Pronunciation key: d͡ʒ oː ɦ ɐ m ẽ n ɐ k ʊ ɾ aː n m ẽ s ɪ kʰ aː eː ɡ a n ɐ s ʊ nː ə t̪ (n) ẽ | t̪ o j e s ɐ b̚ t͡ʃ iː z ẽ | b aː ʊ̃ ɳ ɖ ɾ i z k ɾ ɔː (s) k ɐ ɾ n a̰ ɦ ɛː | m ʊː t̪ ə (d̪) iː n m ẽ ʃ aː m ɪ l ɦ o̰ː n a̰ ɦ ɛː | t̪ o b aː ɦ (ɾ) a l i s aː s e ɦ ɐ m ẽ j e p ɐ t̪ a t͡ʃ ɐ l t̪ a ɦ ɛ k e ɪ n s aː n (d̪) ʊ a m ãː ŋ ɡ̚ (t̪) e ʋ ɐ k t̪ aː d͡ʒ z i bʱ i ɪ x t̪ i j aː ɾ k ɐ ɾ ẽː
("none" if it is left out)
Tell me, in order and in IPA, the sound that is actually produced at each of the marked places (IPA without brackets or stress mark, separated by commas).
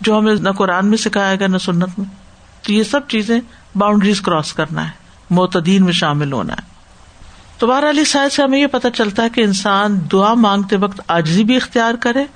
m, s, d̪, ɾ, d̪, t̪